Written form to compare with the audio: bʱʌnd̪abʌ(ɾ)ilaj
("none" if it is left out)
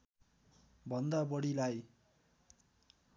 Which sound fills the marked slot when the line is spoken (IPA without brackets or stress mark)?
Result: ɽ